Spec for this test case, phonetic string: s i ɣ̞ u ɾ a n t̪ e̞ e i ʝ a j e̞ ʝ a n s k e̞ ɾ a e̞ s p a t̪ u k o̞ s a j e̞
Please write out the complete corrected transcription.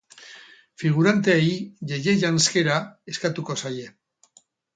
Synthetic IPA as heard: f i ɣ̞ u ɾ a n t̪ e̞ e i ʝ e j e̞ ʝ a n s k e̞ ɾ a e̞ s k a t̪ u k o̞ s a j e̞